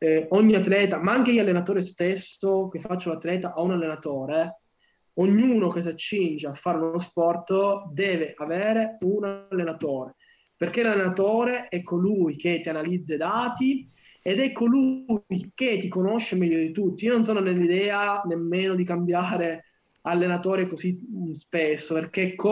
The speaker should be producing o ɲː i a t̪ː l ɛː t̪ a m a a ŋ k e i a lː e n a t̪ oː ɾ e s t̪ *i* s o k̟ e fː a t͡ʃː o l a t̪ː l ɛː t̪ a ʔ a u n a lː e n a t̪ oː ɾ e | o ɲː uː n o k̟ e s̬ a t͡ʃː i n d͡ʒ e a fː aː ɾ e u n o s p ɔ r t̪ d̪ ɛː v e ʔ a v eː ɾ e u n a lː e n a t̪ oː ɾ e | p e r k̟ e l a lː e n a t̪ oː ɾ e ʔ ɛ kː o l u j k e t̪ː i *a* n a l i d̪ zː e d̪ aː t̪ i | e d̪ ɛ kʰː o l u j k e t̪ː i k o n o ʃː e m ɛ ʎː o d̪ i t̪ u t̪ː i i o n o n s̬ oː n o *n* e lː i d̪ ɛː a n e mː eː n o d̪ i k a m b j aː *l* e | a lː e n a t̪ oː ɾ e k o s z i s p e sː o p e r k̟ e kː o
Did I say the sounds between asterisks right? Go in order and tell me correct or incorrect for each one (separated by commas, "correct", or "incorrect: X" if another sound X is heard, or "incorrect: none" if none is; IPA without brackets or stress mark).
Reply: incorrect: e, correct, correct, incorrect: ɾ